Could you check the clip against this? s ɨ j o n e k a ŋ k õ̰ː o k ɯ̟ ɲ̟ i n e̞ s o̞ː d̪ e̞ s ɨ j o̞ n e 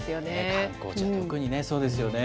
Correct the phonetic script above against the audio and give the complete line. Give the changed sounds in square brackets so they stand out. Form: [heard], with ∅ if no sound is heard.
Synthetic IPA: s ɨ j o n e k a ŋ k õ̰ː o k ɯ̟ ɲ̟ i n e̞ s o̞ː d̪ e̞ s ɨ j o̞ n e